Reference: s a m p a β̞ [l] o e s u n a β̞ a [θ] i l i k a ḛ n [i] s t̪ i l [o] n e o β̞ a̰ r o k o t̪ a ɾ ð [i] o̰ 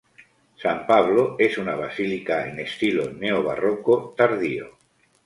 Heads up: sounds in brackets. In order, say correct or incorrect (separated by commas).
correct, incorrect, incorrect, correct, correct